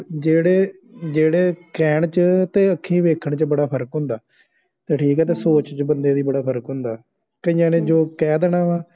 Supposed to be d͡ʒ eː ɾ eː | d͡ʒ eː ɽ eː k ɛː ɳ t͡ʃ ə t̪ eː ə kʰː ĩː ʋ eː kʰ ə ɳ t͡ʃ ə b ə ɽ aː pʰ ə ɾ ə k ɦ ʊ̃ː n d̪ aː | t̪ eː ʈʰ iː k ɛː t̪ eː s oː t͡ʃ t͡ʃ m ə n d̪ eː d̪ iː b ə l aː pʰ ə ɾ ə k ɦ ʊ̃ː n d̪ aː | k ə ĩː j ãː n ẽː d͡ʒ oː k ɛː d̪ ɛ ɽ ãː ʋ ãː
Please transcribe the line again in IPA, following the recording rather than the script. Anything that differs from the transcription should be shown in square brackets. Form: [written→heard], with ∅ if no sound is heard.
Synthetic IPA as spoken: d͡ʒ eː [ɾ→ɽ] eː | d͡ʒ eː ɽ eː k ɛː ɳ t͡ʃ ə t̪ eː ə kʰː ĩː ʋ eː kʰ ə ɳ t͡ʃ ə b ə ɽ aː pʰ ə ɾ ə k ɦ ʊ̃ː n d̪ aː | t̪ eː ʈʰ iː k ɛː t̪ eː s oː t͡ʃ t͡ʃ [m→b] ə n d̪ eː d̪ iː b ə [l→ɽ] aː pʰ ə ɾ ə k ɦ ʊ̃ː n d̪ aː | k ə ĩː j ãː n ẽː d͡ʒ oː k ɛː d̪ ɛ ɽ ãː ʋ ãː